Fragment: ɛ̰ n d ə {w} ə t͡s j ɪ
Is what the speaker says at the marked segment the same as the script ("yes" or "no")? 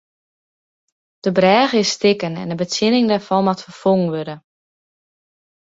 no